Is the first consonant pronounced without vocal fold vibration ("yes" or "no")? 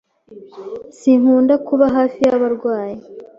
yes